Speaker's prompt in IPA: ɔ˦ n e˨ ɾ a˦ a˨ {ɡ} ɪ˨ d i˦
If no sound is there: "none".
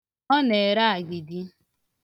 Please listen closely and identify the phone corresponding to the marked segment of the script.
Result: ɡ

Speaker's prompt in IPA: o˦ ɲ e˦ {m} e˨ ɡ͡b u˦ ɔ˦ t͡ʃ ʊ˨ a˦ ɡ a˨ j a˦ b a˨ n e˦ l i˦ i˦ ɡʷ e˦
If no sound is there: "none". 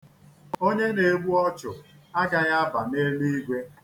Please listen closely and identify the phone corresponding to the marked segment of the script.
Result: n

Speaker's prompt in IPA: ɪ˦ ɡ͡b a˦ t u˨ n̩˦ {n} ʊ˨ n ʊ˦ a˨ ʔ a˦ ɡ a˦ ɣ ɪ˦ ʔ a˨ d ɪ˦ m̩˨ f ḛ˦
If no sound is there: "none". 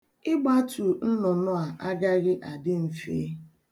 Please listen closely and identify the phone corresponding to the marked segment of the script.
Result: n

